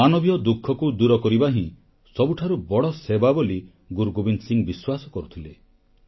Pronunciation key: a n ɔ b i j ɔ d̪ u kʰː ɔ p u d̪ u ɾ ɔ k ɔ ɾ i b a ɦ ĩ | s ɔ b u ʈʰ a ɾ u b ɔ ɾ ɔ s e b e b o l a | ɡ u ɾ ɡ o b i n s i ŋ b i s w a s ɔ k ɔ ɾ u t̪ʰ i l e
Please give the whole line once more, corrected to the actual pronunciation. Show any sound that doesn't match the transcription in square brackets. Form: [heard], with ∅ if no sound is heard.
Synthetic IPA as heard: a n ɔ b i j ɔ d̪ u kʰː ɔ [k] u d̪ u ɾ ɔ k ɔ ɾ i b a ɦ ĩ | s ɔ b u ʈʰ a ɾ u b ɔ [ɽ] ɔ s e b [a] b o l [i] | ɡ u ɾ ɡ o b i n s i ŋ b i s w a s ɔ k ɔ ɾ u t̪ʰ i l e

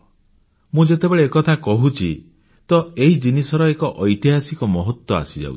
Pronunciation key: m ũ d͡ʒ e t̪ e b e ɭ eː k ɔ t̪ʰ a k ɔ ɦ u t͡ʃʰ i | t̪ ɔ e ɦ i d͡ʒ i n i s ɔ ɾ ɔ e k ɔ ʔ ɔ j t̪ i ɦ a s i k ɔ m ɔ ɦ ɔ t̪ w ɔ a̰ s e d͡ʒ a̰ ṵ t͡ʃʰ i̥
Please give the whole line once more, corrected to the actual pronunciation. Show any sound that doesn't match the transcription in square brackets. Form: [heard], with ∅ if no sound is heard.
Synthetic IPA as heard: m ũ d͡ʒ e t̪ e b e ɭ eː k ɔ t̪ʰ a k ɔ ɦ u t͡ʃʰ i | t̪ ɔ e ɦ i d͡ʒ i n i s ɔ ɾ ɔ e k ɔ ʔ ɔ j t̪ i ɦ a s i k ɔ m ɔ ɦ ɔ t̪ w ɔ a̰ s [i] d͡ʒ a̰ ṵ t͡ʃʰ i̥

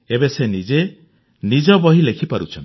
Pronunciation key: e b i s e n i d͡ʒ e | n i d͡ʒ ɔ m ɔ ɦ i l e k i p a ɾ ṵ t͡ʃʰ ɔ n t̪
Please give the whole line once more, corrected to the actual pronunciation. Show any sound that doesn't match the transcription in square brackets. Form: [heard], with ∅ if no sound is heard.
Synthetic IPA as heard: e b [e] s e n i d͡ʒ e | n i d͡ʒ ɔ [b] ɔ ɦ i l e [kʰ] i p a ɾ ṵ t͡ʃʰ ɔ n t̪

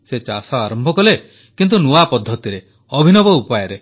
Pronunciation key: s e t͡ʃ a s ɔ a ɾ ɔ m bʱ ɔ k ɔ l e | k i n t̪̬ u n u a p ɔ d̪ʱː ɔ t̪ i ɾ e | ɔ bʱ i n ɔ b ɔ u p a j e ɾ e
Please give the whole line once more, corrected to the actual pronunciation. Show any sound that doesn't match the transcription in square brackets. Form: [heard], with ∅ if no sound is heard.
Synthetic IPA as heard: s e t͡ʃ a s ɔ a ɾ ɔ m bʱ ɔ k ɔ l e | k i n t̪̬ u n u a p ɔ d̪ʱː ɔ t̪ i ɾ e | ɔ bʱ i n ɔ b ɔ u p a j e ɾ e

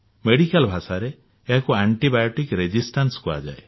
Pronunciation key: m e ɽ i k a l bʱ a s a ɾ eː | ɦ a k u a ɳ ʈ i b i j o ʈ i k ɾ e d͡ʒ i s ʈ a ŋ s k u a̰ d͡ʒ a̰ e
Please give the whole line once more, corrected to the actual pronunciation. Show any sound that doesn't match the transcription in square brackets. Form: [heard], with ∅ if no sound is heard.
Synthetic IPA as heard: m e ɽ i k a l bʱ a s a ɾ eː | ɦ a k u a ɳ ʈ i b [a] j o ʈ i k ɾ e d͡ʒ i s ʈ a [n] s k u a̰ d͡ʒ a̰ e

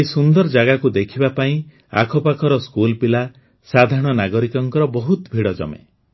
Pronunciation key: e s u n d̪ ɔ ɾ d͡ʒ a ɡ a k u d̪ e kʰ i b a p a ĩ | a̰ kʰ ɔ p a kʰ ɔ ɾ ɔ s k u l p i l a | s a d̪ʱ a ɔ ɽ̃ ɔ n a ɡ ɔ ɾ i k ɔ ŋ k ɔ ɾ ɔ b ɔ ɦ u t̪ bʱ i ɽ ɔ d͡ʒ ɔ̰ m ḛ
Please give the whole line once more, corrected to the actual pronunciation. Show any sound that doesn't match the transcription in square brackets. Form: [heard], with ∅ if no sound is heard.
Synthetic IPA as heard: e s u n d̪ ɔ ɾ d͡ʒ a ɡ a k u d̪ e kʰ i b a p a ĩ | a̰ kʰ ɔ p a kʰ ɔ ɾ ɔ s k u l p i l a | s a d̪ʱ a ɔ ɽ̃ ɔ n a ɡ ɔ ɾ i k ɔ ŋ k ɔ ɾ ɔ b ɔ ɦ u t̪ bʱ i ɽ ɔ d͡ʒ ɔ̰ m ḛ

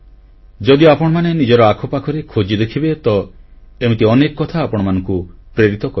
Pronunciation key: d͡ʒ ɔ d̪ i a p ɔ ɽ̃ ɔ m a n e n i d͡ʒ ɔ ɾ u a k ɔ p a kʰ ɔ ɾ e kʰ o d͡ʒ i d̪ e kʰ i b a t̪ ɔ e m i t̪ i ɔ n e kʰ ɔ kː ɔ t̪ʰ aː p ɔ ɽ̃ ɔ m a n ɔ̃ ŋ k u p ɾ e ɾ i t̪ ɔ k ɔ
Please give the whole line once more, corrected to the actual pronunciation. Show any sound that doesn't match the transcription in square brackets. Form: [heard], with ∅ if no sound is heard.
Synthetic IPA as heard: d͡ʒ ɔ d̪ i a p ɔ ɽ̃ ɔ m a n e n i d͡ʒ ɔ ɾ [ɔ] a [kʰ] ɔ p a kʰ ɔ ɾ e kʰ o d͡ʒ i d̪ e kʰ i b [e] t̪ ɔ e m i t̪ i ɔ n e [k] ɔ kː ɔ t̪ʰ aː p ɔ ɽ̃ ɔ m a n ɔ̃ ŋ k u p ɾ e ɾ i t̪ ɔ k ɔ

